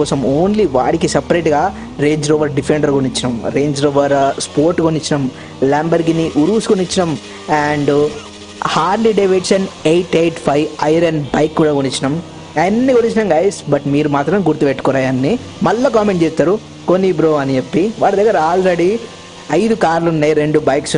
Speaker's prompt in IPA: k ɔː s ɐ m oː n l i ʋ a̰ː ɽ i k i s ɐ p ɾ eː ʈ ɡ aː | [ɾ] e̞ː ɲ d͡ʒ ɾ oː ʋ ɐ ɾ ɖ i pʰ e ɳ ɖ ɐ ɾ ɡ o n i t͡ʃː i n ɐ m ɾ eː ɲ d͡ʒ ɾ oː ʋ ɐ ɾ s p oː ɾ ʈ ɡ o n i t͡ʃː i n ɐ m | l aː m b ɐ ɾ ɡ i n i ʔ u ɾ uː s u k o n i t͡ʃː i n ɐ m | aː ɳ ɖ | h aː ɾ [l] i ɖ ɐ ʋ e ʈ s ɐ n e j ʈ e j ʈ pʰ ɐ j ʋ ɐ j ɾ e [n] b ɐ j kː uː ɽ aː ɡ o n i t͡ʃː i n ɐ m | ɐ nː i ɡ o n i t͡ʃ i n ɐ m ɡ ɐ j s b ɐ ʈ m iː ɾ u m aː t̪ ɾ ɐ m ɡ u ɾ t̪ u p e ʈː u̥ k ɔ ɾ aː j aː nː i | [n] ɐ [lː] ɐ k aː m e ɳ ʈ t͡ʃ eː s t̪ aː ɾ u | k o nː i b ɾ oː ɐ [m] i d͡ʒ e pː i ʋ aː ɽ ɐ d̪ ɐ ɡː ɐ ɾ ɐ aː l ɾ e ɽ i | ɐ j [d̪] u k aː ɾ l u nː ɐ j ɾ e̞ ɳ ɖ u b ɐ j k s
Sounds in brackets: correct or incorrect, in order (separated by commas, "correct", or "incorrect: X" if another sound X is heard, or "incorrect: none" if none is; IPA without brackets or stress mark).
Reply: correct, correct, correct, incorrect: m, correct, incorrect: n, correct